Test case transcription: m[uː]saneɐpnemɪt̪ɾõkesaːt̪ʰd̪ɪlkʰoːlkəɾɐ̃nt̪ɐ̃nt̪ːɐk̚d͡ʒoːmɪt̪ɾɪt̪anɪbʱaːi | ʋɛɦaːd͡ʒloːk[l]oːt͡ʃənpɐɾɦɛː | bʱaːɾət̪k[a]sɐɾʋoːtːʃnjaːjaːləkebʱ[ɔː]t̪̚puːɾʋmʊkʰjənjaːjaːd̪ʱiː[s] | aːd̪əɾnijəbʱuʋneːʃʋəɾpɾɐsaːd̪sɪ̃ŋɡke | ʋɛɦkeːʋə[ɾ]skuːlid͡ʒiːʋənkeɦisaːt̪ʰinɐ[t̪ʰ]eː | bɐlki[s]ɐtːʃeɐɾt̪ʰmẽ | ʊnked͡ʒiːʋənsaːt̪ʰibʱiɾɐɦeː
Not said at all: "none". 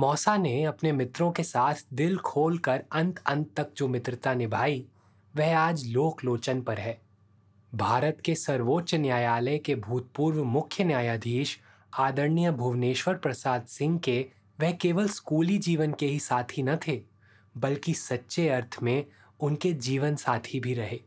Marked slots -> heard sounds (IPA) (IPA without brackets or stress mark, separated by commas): ɔː, l, e, uː, ʃ, l, t̪ʰ, s